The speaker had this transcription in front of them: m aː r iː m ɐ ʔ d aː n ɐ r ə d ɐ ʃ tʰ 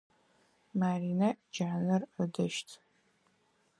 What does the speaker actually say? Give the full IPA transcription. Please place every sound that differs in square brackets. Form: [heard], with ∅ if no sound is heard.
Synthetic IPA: m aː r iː [n] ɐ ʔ [d͡ʒ] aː n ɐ r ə d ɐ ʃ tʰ